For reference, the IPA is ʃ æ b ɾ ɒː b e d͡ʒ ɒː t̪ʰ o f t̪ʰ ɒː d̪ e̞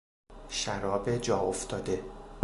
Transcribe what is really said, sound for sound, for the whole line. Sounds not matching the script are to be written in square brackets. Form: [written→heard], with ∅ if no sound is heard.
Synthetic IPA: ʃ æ [b→∅] ɾ ɒː b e d͡ʒ ɒː [t̪ʰ→∅] o f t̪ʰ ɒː d̪ e̞

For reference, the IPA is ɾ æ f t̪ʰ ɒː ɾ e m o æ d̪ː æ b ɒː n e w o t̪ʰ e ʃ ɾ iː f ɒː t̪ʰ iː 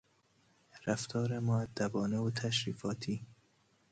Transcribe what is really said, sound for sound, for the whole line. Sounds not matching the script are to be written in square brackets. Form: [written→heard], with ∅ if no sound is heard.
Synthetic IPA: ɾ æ f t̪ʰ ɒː ɾ e m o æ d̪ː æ b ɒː n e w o t̪ʰ [e→æ] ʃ ɾ iː f ɒː t̪ʰ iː

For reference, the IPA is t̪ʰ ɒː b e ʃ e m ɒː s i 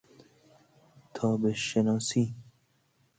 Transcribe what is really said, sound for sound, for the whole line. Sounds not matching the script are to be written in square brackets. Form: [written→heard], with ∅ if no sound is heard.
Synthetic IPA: t̪ʰ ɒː b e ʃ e [m→n] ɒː s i

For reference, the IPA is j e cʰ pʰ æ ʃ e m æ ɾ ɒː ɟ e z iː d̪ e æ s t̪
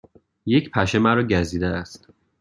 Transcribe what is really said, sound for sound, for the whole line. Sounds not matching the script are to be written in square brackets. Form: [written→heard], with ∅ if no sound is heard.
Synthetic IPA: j e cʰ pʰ æ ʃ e m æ ɾ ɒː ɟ [e→æ] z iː d̪ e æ s t̪

